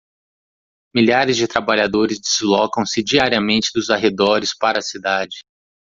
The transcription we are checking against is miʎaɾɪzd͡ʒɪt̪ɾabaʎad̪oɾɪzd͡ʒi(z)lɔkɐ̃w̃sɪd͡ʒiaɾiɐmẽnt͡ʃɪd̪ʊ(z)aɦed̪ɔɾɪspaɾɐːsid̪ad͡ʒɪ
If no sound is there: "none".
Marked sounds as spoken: z, z

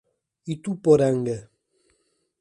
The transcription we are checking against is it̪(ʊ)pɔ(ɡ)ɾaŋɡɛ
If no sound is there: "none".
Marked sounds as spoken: u, none

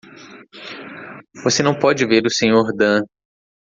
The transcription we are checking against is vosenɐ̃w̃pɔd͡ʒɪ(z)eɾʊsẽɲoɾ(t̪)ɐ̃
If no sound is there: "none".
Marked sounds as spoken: v, d̪

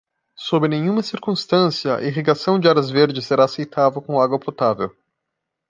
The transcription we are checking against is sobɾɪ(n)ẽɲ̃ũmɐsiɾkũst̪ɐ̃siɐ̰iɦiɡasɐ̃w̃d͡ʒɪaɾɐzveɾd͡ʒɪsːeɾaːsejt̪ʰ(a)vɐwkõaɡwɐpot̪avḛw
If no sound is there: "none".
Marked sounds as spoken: n, a

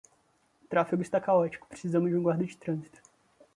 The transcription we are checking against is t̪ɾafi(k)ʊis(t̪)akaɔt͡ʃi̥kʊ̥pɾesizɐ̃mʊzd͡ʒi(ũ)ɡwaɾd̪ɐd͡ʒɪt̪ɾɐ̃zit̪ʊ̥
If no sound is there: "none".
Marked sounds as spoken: ɡ, t̪, ũ

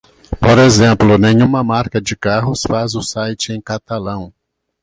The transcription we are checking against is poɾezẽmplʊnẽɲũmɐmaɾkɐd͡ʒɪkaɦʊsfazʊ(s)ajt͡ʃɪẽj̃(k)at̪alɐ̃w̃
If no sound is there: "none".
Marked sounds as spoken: s, k

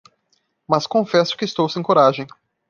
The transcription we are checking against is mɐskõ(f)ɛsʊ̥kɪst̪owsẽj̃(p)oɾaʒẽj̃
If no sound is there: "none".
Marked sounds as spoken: f, k

